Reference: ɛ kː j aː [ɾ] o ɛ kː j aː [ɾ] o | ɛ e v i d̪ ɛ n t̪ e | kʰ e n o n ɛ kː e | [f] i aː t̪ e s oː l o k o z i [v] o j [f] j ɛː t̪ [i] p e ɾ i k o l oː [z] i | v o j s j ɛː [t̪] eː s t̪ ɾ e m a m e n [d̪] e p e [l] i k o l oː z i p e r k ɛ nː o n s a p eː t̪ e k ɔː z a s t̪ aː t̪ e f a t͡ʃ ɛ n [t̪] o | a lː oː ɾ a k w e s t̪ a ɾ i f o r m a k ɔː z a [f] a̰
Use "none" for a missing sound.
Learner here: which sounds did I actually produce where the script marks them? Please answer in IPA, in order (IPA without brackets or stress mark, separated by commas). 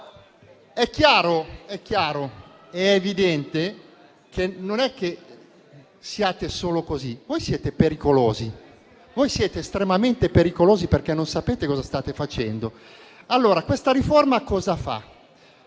ɾ, ɾ, s, v, s, e, z, t̪, t̪, ɾ, d̪, f